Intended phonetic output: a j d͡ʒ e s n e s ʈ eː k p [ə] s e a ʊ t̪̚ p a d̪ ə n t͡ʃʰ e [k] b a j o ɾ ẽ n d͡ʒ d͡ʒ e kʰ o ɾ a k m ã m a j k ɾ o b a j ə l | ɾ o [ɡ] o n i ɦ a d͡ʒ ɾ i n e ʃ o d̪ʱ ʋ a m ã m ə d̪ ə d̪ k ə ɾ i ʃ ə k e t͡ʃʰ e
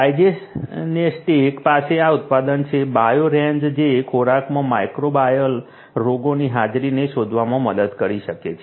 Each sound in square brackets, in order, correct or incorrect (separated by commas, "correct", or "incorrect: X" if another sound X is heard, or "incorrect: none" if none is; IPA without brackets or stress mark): incorrect: a, incorrect: none, correct